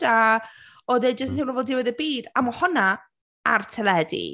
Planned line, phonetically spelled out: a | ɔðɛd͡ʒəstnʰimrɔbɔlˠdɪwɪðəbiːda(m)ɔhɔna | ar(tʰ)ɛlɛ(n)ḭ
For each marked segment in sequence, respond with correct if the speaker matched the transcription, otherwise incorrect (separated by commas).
correct, correct, incorrect